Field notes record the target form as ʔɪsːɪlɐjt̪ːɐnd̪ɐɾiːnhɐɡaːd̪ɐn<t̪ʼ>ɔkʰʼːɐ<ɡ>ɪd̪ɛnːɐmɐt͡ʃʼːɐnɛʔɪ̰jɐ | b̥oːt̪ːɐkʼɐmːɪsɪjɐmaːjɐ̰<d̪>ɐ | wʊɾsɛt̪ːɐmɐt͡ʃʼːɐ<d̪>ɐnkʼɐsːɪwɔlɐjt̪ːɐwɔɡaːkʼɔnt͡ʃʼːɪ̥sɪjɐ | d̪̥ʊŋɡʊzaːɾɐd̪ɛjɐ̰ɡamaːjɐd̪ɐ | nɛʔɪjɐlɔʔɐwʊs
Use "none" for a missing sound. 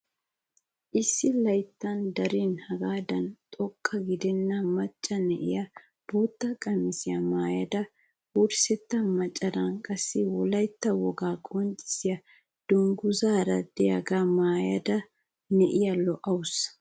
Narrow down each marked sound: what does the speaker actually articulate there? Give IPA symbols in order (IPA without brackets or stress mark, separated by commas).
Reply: t̪ʼ, ɡ, d̪, d̪